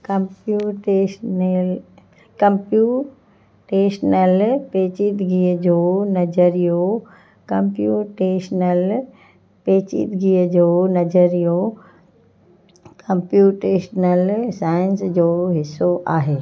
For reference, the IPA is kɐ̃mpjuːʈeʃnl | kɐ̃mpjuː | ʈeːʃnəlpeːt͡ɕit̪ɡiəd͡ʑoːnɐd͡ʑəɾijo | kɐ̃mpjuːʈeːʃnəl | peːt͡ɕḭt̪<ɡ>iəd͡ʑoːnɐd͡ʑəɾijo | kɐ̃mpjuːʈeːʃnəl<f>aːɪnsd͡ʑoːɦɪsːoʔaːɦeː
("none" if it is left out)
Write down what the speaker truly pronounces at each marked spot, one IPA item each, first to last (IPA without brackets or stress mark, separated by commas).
ɡ, s